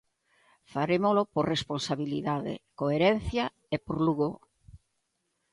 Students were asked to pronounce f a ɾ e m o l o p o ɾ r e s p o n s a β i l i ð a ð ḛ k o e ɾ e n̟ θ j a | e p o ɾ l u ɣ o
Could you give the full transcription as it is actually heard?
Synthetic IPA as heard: f a ɾ e m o l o p o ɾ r e s p o n s a β i l i ð a ð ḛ k o e ɾ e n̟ θ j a | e p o ɾ l u ɣ o